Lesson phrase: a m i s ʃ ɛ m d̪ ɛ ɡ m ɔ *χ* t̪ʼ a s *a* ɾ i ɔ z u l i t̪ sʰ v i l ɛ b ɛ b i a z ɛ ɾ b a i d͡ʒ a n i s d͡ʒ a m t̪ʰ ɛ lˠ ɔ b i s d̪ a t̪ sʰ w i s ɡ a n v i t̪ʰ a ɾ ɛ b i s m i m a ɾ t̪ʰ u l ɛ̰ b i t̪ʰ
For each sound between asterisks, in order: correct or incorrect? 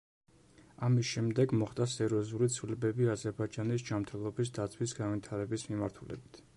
correct, incorrect: ɛ

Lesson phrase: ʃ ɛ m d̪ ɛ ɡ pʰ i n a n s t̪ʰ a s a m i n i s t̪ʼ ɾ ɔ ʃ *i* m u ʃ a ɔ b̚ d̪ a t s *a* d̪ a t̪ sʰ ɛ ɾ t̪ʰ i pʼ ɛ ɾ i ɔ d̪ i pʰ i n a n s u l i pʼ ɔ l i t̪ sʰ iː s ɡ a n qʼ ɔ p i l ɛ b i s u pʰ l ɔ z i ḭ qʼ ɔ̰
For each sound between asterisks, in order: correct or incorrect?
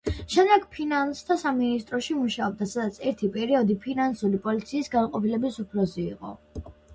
correct, correct

